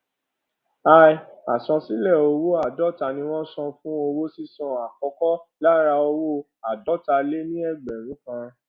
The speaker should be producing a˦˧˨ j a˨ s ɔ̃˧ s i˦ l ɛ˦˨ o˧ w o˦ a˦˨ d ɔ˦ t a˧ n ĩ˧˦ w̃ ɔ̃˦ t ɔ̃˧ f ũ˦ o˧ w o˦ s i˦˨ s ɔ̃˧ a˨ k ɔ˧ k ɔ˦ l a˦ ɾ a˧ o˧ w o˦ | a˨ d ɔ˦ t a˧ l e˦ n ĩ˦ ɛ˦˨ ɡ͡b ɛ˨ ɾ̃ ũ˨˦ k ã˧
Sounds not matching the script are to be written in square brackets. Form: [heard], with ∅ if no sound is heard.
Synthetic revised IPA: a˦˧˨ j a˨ s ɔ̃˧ s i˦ l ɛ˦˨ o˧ w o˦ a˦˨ d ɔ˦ t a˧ n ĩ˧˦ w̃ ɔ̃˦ [s] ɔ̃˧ f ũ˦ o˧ w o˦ s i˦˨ s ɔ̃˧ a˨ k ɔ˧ k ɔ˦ l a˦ ɾ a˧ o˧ w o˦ | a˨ d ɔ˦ t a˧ l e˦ n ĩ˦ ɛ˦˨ ɡ͡b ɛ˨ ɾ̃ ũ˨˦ k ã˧

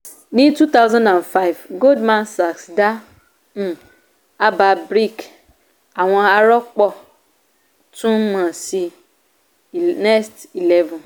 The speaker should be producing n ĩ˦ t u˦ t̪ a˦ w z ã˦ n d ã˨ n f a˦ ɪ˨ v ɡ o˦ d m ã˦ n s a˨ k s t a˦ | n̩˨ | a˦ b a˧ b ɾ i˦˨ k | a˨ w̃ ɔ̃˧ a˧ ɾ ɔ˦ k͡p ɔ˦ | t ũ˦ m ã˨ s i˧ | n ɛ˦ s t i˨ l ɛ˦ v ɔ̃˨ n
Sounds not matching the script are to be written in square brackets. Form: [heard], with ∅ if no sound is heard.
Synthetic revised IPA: n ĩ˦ t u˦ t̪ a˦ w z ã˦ n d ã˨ n f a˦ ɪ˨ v ɡ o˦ d m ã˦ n s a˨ k s [d] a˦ | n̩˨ | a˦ b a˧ b ɾ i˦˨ k | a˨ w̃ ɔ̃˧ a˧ ɾ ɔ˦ k͡p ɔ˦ | t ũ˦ m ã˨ s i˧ | n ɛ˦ s t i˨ l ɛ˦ v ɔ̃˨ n

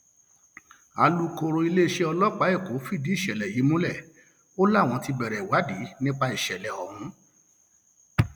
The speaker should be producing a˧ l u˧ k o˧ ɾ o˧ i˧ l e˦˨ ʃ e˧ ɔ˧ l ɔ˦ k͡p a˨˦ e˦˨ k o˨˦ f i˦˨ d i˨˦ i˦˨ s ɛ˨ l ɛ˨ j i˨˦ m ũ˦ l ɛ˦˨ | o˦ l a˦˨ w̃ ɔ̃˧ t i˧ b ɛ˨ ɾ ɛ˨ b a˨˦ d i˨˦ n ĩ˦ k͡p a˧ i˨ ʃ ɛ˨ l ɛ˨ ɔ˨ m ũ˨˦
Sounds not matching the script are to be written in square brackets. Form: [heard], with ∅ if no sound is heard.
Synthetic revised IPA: a˧ l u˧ k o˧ ɾ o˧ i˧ l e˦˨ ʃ e˧ ɔ˧ l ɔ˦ k͡p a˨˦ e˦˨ k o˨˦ f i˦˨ d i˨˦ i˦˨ [ʃ] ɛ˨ l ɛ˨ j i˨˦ m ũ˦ l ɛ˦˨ | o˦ l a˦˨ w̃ ɔ̃˧ t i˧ b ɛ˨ ɾ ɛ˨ [w] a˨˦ d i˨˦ n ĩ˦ k͡p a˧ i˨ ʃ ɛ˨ l ɛ˨ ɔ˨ m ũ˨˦

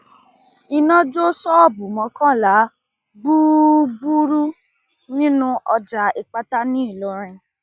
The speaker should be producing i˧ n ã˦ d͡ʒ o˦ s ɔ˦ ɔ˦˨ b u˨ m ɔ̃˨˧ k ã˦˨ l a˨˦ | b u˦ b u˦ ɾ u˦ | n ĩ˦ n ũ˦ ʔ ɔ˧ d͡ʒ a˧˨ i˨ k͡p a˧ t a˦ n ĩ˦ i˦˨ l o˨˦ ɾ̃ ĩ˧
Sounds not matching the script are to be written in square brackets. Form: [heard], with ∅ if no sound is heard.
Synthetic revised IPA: i˧ n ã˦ d͡ʒ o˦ s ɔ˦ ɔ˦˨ b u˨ m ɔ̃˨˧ k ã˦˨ l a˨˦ | b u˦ b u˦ ɾ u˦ | n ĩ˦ n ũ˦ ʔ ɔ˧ d͡ʒ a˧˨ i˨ k͡p a˧ t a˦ n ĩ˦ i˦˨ l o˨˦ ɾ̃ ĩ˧

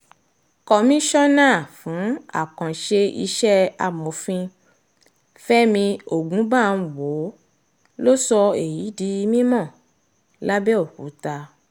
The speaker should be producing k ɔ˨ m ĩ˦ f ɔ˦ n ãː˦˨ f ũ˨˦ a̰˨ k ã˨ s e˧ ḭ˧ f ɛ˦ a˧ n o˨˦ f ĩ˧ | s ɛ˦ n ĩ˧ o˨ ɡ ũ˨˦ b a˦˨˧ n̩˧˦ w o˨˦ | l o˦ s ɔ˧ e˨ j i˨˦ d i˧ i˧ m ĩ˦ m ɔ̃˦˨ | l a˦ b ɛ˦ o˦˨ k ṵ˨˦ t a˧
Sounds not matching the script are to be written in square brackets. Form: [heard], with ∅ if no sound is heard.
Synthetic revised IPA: k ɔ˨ m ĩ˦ [ʃ] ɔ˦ n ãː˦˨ f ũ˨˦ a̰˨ k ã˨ [ʃ] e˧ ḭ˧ [ʃ] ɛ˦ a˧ [m] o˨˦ f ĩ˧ | [f] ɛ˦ [m] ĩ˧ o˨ ɡ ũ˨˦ b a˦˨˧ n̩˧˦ w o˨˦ | l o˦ s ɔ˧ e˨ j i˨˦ d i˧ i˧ m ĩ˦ m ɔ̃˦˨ | l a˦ b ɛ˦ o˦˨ k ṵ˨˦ t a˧

